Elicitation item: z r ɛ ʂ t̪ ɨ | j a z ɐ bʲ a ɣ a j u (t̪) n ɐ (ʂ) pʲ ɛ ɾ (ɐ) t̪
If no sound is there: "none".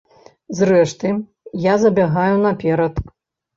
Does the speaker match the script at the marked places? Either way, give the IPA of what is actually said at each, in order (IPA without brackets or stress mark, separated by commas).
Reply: none, none, ɐ